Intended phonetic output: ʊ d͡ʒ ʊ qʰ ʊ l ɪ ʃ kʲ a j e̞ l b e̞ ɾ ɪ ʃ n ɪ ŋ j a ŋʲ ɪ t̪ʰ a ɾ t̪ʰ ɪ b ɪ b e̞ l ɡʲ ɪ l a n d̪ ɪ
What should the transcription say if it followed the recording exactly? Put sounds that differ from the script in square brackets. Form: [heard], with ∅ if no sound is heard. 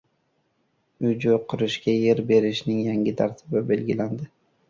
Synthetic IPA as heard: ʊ d͡ʒ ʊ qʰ ʊ [ɾ] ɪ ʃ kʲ a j e̞ [ɾ] b e̞ ɾ ɪ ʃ n ɪ ŋ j a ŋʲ ɪ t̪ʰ a ɾ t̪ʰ ɪ b ɪ b e̞ l ɡʲ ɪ l a n d̪ ɪ